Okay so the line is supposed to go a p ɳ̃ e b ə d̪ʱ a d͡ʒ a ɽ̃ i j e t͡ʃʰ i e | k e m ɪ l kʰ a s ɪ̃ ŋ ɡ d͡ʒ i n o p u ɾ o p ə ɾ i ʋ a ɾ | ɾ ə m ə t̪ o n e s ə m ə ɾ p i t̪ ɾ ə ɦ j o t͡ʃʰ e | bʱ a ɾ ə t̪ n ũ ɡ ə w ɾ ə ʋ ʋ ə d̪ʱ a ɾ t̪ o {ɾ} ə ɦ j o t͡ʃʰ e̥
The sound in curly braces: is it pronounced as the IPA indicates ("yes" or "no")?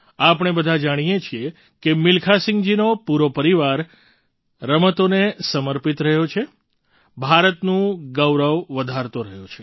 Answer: yes